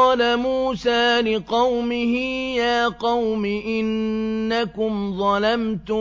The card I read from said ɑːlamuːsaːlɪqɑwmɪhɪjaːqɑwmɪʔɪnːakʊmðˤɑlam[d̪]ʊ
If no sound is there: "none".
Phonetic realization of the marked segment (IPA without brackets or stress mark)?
t̪